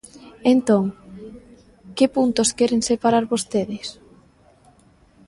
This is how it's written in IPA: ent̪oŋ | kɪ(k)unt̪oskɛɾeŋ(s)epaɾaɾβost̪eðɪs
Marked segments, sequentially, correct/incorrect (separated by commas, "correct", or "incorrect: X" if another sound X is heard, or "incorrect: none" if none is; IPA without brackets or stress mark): incorrect: p, correct